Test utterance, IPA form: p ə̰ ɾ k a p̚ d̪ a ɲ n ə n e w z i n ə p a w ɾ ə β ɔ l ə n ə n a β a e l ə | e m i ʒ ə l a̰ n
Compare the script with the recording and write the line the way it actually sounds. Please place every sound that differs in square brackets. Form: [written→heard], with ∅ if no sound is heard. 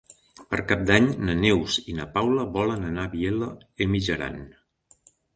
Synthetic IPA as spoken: p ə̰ ɾ k a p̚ d̪ a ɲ n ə n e w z i n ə p a w [ɾ→l] ə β ɔ l ə n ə n a β [a→i] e l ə | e m i ʒ ə [l→ɾ] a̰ n